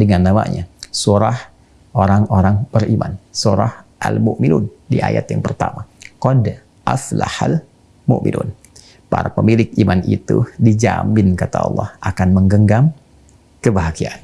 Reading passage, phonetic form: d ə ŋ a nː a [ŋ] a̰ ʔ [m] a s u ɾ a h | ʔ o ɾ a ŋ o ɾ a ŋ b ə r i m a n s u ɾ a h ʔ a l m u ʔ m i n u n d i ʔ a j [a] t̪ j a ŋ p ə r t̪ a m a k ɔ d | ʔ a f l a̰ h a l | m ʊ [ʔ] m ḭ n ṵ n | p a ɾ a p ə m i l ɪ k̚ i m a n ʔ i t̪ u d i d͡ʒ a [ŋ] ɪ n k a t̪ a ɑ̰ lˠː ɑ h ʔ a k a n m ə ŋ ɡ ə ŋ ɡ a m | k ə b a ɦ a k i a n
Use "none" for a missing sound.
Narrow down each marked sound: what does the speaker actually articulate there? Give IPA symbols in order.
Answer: m, ɲ, a, ʔ, m

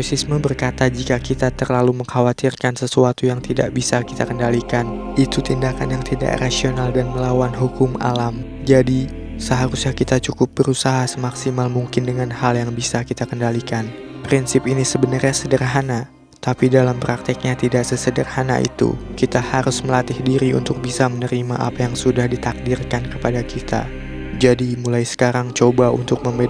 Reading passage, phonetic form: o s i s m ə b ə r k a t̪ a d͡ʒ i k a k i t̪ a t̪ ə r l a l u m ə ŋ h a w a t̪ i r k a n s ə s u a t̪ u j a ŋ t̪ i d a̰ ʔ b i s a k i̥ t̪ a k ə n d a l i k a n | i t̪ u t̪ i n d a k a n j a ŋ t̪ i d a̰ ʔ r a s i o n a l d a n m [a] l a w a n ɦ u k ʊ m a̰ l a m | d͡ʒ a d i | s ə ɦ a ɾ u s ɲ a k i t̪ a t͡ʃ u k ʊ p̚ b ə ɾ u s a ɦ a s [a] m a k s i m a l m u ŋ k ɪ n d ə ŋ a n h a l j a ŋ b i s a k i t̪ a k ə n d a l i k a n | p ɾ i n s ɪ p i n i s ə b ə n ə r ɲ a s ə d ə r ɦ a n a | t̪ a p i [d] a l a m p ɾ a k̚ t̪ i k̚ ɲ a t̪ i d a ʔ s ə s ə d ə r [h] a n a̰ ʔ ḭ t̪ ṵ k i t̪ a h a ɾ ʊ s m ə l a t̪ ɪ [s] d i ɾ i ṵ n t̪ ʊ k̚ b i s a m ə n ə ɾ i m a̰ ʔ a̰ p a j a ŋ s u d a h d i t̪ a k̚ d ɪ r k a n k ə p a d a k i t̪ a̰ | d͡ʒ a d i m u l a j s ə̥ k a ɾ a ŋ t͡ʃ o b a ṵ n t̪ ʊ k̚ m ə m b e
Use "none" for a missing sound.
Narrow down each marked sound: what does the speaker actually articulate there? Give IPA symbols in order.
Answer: ə, ə, d, h, h

